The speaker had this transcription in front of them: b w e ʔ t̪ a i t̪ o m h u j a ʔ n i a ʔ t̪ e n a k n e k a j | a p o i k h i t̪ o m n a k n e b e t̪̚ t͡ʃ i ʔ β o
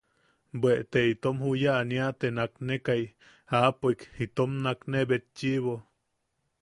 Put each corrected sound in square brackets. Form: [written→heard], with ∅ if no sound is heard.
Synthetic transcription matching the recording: b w e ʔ t̪ [a→e] i t̪ o m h u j a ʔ n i a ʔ t̪ e n a k n e k a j | a p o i k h i t̪ o m n a k n e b e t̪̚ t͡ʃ i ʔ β o